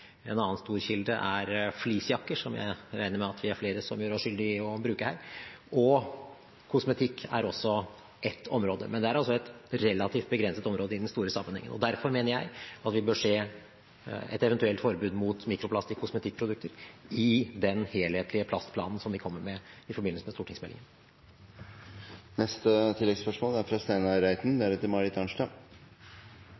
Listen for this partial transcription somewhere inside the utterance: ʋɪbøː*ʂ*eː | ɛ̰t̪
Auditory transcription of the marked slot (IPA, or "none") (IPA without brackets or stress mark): ʂ